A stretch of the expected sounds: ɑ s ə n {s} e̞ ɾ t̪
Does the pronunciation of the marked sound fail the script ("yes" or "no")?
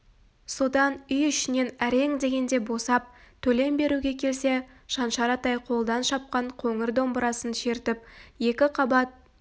yes